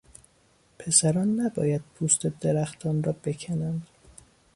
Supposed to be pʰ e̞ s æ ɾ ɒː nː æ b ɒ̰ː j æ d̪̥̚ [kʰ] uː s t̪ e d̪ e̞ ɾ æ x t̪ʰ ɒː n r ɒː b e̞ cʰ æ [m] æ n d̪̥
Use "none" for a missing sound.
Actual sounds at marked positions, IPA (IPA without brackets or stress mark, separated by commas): pʰ, n